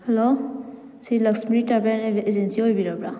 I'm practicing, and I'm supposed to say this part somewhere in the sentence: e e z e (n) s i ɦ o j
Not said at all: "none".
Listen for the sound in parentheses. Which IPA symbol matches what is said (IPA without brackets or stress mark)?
n